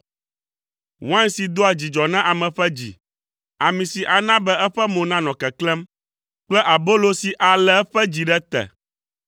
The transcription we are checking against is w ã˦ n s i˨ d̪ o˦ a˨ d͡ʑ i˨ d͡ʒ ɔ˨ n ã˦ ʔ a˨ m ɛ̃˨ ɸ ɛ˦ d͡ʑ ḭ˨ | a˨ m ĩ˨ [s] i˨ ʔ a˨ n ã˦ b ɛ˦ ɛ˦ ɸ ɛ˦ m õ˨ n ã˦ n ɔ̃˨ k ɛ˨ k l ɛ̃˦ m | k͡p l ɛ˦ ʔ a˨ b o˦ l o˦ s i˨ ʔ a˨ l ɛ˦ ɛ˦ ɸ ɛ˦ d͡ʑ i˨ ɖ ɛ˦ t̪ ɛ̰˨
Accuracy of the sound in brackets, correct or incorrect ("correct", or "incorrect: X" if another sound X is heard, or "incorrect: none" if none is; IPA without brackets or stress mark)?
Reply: correct